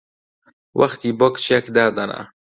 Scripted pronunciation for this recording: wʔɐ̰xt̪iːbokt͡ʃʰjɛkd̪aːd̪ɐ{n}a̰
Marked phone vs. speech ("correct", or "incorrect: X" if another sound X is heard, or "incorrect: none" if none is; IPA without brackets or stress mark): correct